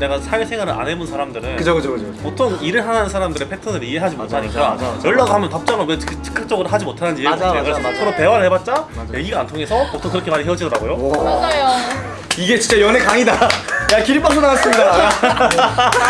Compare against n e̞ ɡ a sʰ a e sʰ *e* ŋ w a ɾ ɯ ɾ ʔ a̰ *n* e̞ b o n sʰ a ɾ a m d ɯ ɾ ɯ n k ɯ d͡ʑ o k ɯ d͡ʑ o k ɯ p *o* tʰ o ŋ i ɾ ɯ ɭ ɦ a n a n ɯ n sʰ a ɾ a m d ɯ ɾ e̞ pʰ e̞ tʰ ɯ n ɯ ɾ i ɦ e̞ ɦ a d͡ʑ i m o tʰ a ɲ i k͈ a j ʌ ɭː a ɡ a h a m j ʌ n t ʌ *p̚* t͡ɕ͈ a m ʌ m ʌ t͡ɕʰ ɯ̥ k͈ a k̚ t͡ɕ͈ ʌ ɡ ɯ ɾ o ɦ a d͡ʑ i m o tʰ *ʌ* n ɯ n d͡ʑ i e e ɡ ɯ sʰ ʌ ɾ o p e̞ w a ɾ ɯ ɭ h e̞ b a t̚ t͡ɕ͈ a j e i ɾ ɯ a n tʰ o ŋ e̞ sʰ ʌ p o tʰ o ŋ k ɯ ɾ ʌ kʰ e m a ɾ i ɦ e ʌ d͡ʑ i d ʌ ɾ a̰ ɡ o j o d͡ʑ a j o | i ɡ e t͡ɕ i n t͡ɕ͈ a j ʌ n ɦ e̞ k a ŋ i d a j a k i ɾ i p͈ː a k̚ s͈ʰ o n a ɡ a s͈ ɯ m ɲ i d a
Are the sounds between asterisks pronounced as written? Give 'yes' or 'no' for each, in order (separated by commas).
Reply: yes, yes, yes, yes, no